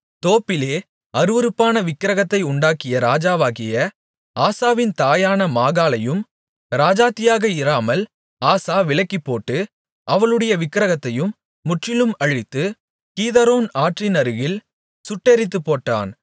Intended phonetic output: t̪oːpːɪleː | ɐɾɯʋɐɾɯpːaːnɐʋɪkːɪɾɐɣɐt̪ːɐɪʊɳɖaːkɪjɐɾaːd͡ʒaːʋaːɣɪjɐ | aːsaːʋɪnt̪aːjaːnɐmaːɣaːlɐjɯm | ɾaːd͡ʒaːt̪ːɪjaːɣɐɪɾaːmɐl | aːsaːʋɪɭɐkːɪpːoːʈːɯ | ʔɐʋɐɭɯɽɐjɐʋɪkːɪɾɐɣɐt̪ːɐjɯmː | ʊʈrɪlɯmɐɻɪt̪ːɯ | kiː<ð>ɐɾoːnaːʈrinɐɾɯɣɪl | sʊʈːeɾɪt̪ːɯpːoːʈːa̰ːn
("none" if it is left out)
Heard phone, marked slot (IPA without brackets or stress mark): ð